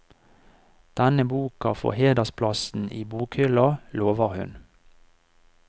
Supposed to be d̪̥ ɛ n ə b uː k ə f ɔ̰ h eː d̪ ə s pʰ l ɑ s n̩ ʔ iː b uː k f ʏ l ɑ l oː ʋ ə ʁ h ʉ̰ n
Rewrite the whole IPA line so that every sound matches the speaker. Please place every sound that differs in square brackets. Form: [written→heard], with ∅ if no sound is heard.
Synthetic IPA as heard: d̪̥ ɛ n ə b uː k [ə→ɑ] f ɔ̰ h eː d̪ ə s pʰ l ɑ s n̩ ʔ iː b uː k [f→h] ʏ l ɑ l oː ʋ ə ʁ h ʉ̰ n